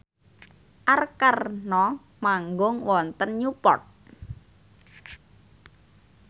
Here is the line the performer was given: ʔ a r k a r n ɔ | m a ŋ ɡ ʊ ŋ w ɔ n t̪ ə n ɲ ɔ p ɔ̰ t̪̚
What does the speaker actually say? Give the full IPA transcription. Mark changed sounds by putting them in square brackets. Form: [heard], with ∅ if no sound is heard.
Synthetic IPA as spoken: ʔ a r k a r n ɔ | m a ŋ ɡ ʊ ŋ w ɔ n t̪ ə n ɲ [u] p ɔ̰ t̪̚

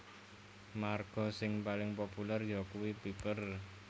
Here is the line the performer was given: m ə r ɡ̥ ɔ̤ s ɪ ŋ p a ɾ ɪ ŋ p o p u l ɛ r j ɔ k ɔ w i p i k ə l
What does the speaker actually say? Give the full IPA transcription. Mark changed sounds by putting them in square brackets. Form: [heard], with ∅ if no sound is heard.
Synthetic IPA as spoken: m [a] r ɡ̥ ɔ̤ s ɪ ŋ p a [l] ɪ ŋ p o p u l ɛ r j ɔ k [u] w i p i [p] ə [r]

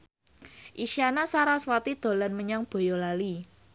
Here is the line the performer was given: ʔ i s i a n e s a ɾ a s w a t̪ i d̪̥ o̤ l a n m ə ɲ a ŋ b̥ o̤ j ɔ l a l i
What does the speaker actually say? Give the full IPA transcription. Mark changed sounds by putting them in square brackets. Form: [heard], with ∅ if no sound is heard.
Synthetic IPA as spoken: ʔ i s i a n [a] s a ɾ a s w a t̪ i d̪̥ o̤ l a n m ə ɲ a ŋ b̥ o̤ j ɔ l a l i

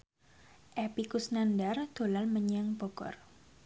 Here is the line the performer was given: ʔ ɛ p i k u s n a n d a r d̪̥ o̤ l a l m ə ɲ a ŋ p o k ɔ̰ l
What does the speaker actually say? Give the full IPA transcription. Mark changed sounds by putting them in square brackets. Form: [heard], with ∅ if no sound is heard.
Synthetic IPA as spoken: ʔ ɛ p i k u s n a n d a r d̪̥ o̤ l a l m ə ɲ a ŋ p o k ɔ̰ [r]

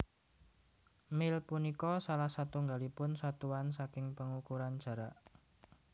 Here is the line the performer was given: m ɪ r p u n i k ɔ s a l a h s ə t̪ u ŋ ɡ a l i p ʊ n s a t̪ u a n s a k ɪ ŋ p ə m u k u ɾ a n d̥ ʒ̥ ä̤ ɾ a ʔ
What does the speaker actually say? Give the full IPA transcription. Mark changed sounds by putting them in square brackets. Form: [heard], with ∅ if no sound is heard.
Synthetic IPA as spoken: m ɪ [l] p u n i k ɔ s a l a h s [a] t̪ u ŋ ɡ a l i p ʊ n s a t̪ u a n s a k ɪ ŋ p ə [ŋ] u k u ɾ a n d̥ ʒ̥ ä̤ ɾ a ʔ

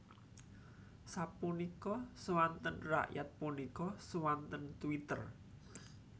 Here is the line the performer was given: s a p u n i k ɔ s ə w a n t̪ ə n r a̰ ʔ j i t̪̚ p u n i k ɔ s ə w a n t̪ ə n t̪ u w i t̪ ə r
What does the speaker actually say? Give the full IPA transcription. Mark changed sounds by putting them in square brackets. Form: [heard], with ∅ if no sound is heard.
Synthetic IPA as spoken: s a p u n i k ɔ s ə w a n t̪ ə n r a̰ ʔ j [a] t̪̚ p u n i k ɔ s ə w a n t̪ ə n t̪ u w i t̪ ə r

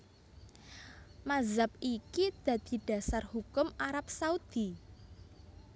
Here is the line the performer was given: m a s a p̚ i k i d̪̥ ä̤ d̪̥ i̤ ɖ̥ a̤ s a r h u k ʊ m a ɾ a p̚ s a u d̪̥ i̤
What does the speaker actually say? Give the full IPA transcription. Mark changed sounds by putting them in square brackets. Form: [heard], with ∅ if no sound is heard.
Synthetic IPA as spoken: m a [z] a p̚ i k i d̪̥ ä̤ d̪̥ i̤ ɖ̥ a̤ s a r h u k ʊ m a ɾ a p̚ s a u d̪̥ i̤

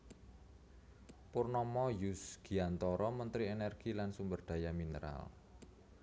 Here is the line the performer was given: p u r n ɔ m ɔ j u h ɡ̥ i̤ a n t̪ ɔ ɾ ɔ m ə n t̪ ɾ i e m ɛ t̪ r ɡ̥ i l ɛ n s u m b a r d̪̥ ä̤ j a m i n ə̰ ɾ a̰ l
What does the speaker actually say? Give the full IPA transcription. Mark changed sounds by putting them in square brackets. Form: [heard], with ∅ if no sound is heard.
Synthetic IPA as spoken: p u r n ɔ m ɔ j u [s] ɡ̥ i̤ a n t̪ ɔ ɾ ɔ m ə n t̪ ɾ i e [n] ɛ [∅] r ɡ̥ i l [a] n s u m b [ə] r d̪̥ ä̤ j a m i n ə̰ ɾ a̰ l

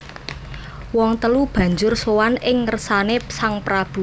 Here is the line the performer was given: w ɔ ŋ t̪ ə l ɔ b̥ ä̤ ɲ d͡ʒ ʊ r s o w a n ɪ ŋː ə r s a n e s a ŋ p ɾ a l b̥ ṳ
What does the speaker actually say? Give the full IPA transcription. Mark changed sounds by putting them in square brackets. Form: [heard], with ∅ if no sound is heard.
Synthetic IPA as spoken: w ɔ ŋ t̪ ə l [u] b̥ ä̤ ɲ d͡ʒ ʊ r s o w a n ɪ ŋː ə r s a n e s a ŋ p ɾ a [∅] b̥ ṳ

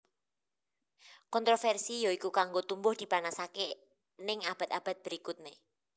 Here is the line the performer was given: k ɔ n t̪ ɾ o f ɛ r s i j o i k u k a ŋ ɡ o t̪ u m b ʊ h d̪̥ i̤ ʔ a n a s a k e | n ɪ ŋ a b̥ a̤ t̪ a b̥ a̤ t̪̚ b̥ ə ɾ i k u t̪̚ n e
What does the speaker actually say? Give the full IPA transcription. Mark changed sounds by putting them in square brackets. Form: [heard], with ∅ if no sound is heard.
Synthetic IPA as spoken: k ɔ n t̪ ɾ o f ɛ r s i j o i k u k a ŋ ɡ o t̪ u m b ʊ h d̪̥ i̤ [p] a n a s a k e | n ɪ ŋ a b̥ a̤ t̪ a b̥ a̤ t̪̚ b̥ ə ɾ i k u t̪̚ n e

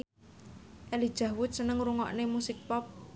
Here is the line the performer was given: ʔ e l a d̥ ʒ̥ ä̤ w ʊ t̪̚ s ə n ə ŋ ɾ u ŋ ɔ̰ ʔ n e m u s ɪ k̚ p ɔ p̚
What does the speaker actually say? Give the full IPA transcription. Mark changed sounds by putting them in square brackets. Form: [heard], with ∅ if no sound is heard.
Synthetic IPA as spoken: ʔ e l [i] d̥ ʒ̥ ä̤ w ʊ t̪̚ s ə n ə ŋ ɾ u ŋ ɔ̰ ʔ n e m u s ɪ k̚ p ɔ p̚

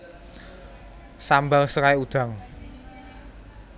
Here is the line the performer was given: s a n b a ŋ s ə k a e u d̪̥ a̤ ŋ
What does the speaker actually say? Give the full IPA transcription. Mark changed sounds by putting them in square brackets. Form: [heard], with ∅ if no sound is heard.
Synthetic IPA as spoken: s a [m] b a ŋ s ə k a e u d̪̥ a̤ ŋ

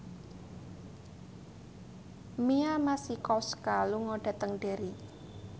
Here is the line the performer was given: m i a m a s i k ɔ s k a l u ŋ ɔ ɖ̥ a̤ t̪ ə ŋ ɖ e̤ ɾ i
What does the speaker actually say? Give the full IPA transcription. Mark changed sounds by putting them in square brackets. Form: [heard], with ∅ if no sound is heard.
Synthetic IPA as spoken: m i a m a s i k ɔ s k a l u ŋ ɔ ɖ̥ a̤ t̪ ə ŋ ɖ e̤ ɾ i

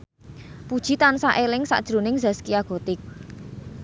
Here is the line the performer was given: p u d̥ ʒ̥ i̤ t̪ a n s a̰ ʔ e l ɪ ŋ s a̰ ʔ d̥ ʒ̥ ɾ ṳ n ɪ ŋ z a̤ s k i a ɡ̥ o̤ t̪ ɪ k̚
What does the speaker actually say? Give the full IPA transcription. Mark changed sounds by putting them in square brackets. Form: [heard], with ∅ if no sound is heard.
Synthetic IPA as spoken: p u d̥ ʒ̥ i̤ t̪ a n s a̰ ʔ e l ɪ ŋ s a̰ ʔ d̥ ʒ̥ ɾ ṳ n ɪ ŋ z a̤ s k i a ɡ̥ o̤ t̪ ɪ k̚

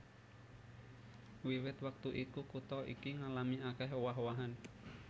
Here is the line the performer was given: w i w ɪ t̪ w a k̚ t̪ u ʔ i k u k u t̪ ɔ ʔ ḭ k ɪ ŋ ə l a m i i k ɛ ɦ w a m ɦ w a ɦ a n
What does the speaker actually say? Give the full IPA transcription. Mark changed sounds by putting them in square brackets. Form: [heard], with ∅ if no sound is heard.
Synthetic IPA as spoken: w i w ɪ t̪ w a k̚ t̪ u ʔ i k u k u t̪ ɔ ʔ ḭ k [i] ŋ [a] l a m i [a] k ɛ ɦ w a [∅] ɦ w a ɦ a n

